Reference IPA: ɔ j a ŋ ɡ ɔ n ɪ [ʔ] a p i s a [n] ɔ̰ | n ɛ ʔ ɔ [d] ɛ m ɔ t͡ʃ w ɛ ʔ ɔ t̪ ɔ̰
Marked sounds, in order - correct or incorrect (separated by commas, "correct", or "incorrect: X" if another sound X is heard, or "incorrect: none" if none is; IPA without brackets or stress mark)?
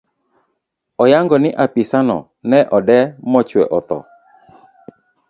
correct, correct, correct